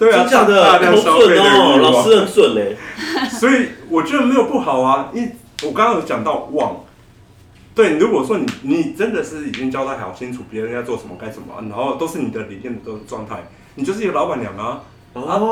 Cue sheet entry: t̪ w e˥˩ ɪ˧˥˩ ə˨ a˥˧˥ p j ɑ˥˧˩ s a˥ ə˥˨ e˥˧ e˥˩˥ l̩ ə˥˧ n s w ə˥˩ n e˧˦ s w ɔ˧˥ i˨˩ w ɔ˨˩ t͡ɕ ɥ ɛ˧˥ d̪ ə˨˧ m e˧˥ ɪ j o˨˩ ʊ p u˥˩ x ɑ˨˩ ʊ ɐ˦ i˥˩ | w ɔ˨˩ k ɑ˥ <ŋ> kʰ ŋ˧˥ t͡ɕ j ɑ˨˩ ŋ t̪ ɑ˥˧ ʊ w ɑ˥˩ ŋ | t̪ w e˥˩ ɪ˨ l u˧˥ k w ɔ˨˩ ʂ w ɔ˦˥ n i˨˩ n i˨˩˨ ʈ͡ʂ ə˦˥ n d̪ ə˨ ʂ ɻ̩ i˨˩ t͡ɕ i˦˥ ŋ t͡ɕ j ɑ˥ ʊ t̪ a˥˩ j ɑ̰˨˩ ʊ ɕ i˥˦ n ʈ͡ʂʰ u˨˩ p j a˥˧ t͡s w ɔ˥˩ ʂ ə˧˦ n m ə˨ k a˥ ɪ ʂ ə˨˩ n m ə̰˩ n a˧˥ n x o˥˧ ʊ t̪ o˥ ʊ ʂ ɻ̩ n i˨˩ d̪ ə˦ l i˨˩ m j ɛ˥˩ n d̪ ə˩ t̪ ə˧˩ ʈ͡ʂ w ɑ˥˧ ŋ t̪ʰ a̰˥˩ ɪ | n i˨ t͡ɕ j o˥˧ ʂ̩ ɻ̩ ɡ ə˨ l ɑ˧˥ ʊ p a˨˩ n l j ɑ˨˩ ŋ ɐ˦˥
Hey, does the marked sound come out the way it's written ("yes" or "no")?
yes